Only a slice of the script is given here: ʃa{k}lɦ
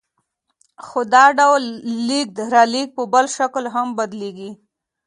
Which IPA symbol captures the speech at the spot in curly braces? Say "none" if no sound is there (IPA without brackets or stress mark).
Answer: k